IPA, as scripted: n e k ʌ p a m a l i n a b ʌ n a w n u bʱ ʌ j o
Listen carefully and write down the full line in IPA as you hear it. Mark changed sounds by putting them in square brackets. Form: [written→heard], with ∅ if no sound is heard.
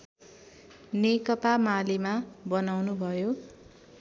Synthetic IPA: n e k ʌ p a m a l i [n→m] a b ʌ n a w n u bʱ ʌ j o

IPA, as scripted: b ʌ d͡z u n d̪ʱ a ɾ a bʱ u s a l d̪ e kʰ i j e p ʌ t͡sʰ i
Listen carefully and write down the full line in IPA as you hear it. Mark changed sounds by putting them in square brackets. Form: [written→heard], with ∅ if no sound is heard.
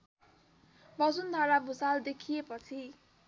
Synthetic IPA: b ʌ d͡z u n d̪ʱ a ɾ a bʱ u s a l d̪ e kʰ i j e p ʌ t͡sʰ i

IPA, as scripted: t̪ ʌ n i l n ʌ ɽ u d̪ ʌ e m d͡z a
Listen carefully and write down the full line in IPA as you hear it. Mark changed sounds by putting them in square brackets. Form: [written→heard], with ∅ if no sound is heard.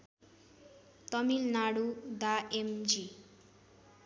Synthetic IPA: t̪ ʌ [n→m] i l n [ʌ→a] ɽ u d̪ [ʌ→a] e m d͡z [a→i]

